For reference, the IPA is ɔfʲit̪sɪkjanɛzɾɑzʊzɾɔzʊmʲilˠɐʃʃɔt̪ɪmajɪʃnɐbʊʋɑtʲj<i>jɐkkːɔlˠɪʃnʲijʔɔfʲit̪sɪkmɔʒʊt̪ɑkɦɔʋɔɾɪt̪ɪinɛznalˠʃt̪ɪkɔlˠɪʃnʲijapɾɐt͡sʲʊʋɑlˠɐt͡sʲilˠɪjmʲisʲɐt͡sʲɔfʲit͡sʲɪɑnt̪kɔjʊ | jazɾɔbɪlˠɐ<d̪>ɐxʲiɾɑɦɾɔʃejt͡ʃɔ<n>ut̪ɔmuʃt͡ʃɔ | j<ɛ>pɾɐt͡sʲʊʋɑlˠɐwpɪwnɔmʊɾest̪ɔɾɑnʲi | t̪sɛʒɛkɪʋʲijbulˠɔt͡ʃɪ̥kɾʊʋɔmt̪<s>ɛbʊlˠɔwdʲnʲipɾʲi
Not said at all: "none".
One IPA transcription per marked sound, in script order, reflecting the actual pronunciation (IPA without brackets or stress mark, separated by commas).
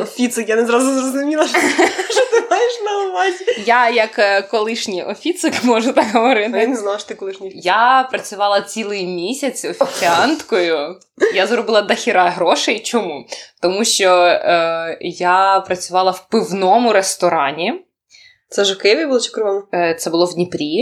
a, d̪, m, a, s